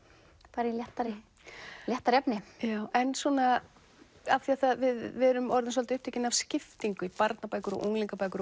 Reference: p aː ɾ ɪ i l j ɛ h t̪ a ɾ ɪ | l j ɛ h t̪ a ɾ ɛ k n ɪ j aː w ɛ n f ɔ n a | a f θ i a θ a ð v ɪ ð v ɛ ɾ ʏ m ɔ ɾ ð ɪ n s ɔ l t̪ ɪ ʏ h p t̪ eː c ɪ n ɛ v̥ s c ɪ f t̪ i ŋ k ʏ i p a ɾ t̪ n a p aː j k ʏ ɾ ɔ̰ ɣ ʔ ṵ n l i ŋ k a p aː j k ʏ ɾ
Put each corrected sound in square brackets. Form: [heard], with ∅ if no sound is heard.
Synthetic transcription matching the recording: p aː ɾ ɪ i l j ɛ h t̪ a ɾ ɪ | l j ɛ h t̪ a ɾ ɛ [p] n ɪ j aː w ɛ n [s] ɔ n a | a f θ i a θ a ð v ɪ ð v ɛ ɾ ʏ m ɔ ɾ ð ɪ n s ɔ l t̪ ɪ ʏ h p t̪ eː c ɪ n [a] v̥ s c ɪ f t̪ i ŋ k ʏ i p a ɾ t̪ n a p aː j k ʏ ɾ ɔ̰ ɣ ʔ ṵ [ŋ] l i ŋ k a p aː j k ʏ ɾ

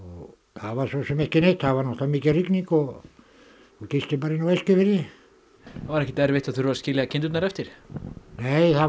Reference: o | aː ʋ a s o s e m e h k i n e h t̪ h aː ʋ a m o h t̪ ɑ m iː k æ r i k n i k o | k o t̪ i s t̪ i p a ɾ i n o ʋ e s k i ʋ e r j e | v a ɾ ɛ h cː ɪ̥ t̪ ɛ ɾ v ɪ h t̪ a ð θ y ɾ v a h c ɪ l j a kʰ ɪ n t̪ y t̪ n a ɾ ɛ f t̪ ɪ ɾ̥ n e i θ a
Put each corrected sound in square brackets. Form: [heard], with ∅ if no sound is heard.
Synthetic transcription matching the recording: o | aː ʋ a s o s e m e h k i n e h t̪ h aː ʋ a [n] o h t̪ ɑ m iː k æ r i k n i k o | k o t̪ i s t̪ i p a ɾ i n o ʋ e s k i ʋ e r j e | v a ɾ ɛ h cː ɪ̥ t̪ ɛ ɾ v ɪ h t̪ a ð θ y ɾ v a [s] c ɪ l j a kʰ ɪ n t̪ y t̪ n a ɾ ɛ f t̪ ɪ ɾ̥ n e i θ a

